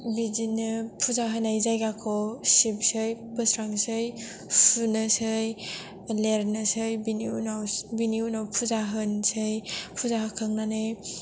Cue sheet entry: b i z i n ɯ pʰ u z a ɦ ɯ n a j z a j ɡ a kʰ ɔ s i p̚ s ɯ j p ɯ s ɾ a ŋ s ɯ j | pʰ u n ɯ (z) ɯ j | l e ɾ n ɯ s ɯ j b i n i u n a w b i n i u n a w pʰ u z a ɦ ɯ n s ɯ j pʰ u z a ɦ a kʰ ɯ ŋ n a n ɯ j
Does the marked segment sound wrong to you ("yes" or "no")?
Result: yes